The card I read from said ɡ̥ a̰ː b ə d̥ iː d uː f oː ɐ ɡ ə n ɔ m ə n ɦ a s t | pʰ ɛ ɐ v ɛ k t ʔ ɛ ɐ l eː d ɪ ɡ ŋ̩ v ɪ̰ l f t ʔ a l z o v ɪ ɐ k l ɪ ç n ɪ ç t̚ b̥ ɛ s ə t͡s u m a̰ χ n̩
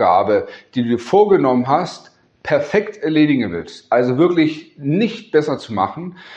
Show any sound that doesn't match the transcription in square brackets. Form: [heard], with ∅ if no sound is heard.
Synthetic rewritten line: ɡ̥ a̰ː b ə d̥ iː d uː f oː ɐ ɡ ə n ɔ m ə n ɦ a s t | pʰ ɛ ɐ [f] ɛ k t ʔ ɛ ɐ l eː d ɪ ɡ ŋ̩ v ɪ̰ l [s] t ʔ a l z o v ɪ ɐ k l ɪ ç n ɪ ç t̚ b̥ ɛ s [ɐ] t͡s u m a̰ χ n̩